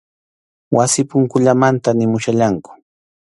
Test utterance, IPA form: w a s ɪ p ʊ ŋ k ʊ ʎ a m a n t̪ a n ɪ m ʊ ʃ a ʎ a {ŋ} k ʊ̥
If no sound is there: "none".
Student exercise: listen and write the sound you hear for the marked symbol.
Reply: ŋ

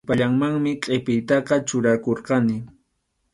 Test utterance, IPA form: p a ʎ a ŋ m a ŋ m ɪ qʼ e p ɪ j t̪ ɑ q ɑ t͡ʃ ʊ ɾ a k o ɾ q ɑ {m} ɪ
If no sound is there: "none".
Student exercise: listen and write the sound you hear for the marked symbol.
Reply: n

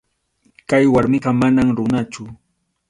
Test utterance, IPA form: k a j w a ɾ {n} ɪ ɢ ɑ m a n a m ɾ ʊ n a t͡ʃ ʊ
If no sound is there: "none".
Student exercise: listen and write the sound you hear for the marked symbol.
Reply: m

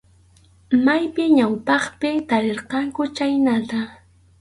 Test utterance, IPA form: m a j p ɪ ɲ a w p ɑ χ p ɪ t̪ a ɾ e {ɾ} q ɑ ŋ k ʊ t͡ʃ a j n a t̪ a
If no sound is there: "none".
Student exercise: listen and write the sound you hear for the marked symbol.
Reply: ɾ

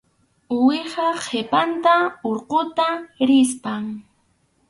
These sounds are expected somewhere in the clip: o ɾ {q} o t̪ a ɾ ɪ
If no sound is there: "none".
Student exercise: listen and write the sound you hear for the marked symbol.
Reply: q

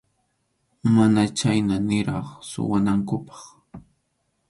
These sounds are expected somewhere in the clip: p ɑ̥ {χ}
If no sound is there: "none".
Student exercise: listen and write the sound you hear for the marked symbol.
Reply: χ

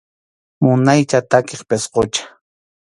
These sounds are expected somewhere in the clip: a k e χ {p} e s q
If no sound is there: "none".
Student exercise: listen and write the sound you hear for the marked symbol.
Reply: p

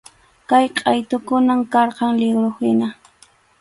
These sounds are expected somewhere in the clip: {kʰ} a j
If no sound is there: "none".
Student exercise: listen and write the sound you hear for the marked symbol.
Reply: k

